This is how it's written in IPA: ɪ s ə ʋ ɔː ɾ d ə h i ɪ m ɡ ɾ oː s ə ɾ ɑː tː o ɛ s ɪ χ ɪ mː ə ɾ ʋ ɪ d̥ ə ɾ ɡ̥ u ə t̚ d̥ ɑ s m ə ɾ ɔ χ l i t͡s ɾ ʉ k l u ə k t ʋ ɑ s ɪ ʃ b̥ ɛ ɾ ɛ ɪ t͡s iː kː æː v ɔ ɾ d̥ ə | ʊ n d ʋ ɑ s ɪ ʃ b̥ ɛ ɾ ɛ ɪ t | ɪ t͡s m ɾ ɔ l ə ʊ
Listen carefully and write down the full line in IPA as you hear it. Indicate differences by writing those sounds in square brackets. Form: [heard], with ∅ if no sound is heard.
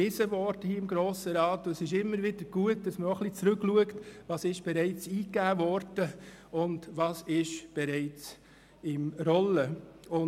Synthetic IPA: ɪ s ə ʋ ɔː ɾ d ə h i ɪ m ɡ ɾ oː s ə ɾ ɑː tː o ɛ s ɪ [ʃ] ɪ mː ə ɾ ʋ ɪ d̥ ə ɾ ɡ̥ u ə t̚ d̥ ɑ s m ə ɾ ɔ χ l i t͡s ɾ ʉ k l u ə k t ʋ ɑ s ɪ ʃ b̥ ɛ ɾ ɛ ɪ t͡s iː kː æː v ɔ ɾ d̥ ə | ʊ n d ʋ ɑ s ɪ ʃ b̥ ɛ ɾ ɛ ɪ [t͡s] | ɪ [∅] m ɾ ɔ l ə ʊ

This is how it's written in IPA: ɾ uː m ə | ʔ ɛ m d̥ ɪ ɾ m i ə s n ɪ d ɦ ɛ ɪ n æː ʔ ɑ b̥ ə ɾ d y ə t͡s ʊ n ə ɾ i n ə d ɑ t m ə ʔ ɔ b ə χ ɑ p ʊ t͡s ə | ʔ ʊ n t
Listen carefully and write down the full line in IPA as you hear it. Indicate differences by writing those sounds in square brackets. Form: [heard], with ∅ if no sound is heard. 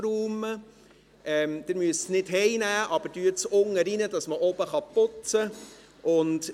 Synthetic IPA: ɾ uː m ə | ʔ ɛ m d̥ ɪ ɾ m [y] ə s n ɪ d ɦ ɛ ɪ n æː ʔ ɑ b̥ ə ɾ d y ə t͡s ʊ [ŋ] ə ɾ i n ə d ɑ [s] m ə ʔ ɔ b ə χ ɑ p ʊ t͡s ə | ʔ ʊ n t

